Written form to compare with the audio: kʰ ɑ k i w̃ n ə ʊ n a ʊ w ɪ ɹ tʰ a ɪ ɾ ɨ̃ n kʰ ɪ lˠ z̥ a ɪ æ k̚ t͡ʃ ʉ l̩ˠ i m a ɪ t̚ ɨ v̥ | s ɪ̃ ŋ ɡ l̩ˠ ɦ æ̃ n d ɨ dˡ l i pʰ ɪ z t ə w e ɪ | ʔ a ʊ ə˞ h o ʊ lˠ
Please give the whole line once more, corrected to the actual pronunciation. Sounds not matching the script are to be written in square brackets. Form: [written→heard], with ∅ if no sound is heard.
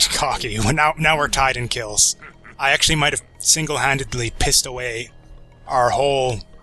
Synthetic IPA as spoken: kʰ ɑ k i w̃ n [ə→a] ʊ n a ʊ w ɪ ɹ tʰ a ɪ ɾ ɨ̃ n kʰ ɪ lˠ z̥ a ɪ æ k̚ t͡ʃ ʉ l̩ˠ i m a ɪ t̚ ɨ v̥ | s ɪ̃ ŋ ɡ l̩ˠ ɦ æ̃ n d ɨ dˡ l i pʰ ɪ [z→s] t ə w e ɪ | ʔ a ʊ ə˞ h o ʊ lˠ